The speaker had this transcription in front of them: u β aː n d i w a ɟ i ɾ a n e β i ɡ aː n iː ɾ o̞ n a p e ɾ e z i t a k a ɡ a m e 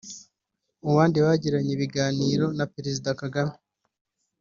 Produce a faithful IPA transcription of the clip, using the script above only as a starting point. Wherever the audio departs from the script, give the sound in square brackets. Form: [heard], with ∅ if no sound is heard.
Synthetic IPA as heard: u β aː n d i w a ɟ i ɾ a [ɲ] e β i ɡ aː n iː ɾ o̞ n a p e ɾ e z i [d] a k a ɡ a m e